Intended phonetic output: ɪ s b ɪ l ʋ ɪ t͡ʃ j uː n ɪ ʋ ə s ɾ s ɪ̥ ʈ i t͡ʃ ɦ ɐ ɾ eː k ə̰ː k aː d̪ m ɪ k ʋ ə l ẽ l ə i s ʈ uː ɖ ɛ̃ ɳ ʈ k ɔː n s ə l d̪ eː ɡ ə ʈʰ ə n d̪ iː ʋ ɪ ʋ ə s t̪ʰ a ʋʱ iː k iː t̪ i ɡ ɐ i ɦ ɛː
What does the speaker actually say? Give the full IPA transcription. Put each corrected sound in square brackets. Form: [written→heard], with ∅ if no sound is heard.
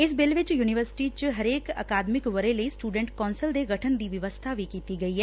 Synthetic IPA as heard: ɪ s b ɪ l ʋ ɪ t͡ʃ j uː n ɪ ʋ ə [s→∅] ɾ s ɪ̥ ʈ i t͡ʃ ɦ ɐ ɾ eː k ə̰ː k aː d̪ m ɪ k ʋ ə [l→ɾ] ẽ l ə i s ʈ uː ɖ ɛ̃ ɳ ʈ k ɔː n s ə l d̪ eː ɡ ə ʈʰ ə n d̪ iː ʋ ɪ ʋ ə s t̪ʰ a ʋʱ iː k iː t̪ i ɡ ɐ i ɦ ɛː